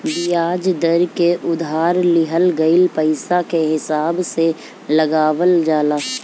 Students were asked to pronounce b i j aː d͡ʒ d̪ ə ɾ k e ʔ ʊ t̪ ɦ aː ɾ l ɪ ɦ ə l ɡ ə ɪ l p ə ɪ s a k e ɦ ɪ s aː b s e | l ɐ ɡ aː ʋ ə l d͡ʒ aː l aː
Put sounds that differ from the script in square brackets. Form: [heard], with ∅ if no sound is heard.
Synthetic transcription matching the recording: b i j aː d͡ʒ d̪ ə ɾ k e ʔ ʊ [d̪] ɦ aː ɾ l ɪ ɦ ə l ɡ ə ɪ l p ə ɪ s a k e ɦ ɪ s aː b s e | l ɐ ɡ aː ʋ ə l d͡ʒ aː l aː